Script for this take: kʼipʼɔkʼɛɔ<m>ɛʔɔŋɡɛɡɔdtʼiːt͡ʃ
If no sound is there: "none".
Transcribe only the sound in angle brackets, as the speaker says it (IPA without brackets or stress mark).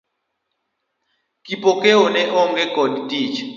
n